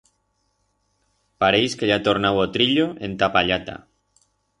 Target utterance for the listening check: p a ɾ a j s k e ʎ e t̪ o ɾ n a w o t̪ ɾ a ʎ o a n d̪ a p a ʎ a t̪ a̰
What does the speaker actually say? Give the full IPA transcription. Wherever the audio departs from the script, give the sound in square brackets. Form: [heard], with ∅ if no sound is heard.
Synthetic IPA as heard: p a ɾ [e] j s k e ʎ [a] t̪ o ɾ n a w o t̪ ɾ [i] ʎ o [e] n [t̪] a p a ʎ a t̪ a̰